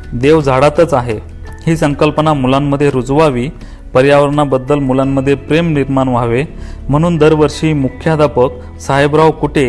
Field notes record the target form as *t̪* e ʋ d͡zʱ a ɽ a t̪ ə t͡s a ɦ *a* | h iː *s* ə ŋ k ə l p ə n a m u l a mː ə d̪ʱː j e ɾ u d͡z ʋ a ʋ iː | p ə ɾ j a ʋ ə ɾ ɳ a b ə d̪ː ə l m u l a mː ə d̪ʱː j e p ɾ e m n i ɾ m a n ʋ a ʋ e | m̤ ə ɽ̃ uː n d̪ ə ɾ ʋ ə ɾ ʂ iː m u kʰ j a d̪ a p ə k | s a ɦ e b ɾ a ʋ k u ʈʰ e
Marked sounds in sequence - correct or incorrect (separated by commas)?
incorrect, incorrect, correct